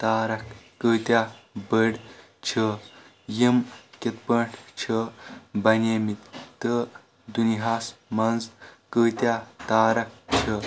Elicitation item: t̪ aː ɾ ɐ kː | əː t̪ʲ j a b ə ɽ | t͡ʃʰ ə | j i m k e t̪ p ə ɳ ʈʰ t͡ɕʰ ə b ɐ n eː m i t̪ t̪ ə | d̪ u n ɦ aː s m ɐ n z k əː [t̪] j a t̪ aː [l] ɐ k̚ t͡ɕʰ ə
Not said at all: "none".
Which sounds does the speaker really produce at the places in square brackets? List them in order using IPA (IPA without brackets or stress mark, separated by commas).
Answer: t̪, ɾ